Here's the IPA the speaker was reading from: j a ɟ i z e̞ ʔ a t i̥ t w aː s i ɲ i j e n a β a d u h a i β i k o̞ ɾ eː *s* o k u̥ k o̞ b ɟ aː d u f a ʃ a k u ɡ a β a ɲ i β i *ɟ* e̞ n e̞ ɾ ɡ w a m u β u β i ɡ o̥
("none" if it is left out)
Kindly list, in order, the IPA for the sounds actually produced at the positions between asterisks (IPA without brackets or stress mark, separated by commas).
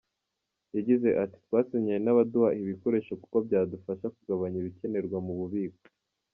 ʃ, c